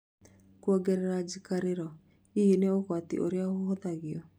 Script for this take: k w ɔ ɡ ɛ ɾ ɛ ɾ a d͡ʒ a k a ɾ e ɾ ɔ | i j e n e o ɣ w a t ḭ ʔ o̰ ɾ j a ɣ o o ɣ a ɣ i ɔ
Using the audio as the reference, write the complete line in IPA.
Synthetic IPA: k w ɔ ɡ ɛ ɾ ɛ ɾ a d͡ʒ i k a ɾ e ɾ ɔ | i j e n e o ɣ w a t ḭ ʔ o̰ ɾ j a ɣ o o ð a ɣ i ɔ